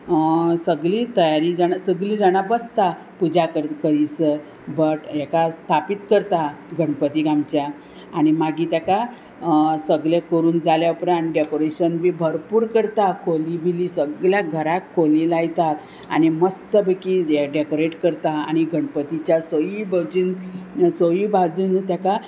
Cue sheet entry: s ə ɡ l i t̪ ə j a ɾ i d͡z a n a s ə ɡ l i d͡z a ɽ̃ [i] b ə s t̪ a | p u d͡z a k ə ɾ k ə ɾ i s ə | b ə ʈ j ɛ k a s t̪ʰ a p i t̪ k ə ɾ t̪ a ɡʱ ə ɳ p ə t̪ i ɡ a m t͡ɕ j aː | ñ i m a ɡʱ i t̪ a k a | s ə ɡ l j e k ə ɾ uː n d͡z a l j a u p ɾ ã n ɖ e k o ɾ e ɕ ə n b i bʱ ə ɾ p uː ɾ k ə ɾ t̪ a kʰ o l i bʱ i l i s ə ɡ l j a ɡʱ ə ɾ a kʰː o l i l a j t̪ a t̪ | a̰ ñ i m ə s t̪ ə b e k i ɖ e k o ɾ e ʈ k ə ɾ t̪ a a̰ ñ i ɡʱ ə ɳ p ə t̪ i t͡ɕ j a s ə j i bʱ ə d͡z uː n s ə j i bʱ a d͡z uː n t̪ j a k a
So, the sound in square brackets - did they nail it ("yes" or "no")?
no